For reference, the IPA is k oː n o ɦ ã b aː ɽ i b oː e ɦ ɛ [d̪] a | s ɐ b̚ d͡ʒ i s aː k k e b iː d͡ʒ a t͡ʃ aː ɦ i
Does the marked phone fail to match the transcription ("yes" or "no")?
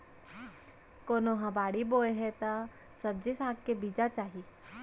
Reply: yes